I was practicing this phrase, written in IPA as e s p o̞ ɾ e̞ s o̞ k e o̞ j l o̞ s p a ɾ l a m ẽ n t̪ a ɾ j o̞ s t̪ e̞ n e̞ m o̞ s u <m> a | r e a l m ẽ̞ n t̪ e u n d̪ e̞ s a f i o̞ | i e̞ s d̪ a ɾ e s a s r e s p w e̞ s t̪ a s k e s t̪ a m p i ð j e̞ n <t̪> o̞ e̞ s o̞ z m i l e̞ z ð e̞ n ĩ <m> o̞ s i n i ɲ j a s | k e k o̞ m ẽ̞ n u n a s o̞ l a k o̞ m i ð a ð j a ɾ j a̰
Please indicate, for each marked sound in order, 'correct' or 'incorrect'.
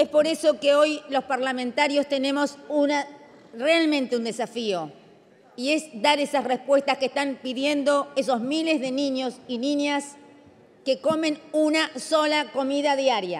incorrect, incorrect, incorrect

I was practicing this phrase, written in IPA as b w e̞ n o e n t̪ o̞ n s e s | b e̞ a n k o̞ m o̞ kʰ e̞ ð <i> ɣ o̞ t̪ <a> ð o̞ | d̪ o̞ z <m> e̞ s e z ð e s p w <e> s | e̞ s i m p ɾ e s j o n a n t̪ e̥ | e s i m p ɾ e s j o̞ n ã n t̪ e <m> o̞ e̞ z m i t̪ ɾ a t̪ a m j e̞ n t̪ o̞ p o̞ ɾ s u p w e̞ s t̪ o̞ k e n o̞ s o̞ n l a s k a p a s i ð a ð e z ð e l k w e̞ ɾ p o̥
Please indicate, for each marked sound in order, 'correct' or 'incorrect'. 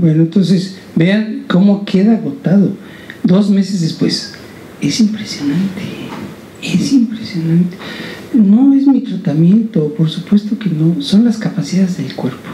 incorrect, correct, correct, correct, incorrect

